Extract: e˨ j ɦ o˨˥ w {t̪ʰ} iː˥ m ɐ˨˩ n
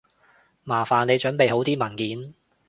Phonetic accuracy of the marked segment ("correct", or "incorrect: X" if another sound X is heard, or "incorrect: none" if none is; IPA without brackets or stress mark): incorrect: t̪